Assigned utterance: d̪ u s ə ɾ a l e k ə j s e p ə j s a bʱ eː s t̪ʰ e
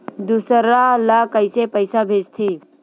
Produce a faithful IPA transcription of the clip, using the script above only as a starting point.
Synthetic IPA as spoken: d̪ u s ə ɾ a l a k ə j s e p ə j s a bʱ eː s t̪ʰ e